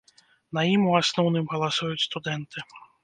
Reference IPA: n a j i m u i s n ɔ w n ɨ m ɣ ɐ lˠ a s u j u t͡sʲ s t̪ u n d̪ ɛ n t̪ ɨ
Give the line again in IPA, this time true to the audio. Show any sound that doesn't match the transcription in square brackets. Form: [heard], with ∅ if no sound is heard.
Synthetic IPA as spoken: n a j i m u [a] s n ɔ w n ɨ m ɣ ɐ lˠ a s u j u t͡sʲ s t̪ u [∅] d̪ ɛ n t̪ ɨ